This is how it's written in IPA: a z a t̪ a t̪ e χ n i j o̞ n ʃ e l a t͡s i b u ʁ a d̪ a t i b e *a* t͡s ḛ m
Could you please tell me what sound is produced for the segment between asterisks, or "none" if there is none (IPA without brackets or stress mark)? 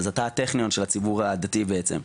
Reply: e